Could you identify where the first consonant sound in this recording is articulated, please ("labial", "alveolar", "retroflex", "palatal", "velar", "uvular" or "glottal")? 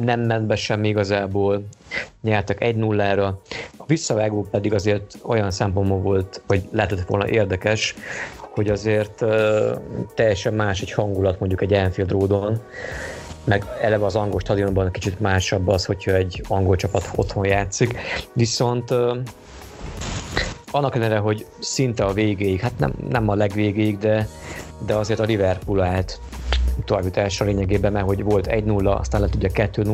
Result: alveolar